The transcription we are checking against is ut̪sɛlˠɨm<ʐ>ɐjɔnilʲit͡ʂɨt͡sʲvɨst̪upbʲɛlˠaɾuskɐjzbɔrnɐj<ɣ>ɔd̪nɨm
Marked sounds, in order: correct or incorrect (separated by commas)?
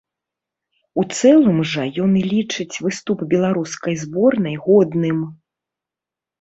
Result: correct, correct